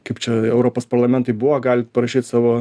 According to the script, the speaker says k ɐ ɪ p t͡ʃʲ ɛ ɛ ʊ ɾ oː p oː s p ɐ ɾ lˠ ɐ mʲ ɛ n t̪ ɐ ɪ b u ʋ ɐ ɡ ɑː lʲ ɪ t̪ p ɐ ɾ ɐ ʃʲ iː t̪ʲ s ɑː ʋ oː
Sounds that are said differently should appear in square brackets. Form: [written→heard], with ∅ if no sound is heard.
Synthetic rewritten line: k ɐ ɪ p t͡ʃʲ ɛ ɛ ʊ ɾ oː p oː s p ɐ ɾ lˠ ɐ mʲ ɛ n t̪ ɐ ɪ b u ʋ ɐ ɡ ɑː lʲ ɪ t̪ p ɐ ɾ ɐ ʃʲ iː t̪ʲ s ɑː ʋ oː